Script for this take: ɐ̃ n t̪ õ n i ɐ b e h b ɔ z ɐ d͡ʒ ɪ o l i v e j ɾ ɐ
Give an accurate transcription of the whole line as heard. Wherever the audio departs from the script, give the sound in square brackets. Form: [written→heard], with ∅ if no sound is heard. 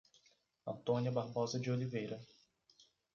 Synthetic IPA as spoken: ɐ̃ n t̪ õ n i ɐ b [e→a] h b ɔ z ɐ d͡ʒ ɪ o l i v e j ɾ ɐ